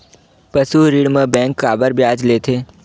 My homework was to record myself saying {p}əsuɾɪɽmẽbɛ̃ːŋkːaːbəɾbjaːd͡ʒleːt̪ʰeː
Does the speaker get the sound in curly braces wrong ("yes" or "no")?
no